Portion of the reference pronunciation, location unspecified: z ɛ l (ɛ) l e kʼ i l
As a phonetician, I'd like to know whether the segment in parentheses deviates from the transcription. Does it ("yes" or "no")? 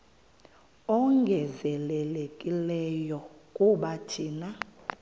no